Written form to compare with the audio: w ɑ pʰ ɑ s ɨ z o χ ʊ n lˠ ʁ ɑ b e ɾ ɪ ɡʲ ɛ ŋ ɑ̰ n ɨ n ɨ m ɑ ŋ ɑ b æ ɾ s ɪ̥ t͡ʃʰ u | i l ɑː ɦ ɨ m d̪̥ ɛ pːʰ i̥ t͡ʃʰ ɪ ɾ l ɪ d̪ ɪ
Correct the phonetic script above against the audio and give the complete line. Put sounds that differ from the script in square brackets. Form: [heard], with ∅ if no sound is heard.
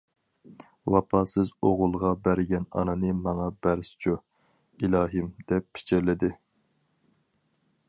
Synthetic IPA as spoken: w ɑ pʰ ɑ s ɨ z o [ʁ] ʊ [∅] lˠ ʁ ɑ b [æ] ɾ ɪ ɡʲ ɛ [n] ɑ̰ n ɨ n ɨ m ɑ ŋ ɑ b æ ɾ s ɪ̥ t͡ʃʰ u | i l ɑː ɦ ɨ m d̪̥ ɛ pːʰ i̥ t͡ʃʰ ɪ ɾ l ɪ d̪ ɪ